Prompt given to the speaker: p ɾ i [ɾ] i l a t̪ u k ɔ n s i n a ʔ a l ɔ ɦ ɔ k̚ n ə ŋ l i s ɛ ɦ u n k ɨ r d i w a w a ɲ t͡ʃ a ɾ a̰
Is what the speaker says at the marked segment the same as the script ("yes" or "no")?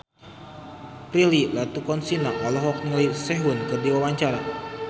no